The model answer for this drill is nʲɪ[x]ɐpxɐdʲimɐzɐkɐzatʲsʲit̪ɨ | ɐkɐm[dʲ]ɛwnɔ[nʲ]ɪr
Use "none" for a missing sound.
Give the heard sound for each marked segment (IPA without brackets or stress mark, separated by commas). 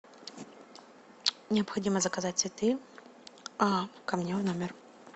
none, nʲ, mʲ